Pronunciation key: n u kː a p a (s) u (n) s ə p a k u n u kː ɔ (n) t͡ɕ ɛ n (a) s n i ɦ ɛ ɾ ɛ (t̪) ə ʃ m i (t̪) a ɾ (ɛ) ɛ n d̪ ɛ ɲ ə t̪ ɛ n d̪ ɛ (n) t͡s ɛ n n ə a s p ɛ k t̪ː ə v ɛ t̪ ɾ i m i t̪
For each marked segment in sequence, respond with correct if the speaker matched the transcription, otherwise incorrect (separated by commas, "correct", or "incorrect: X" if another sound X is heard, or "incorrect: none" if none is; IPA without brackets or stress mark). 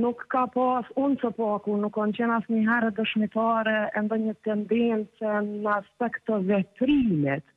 correct, correct, correct, correct, incorrect: d̪, correct, correct, correct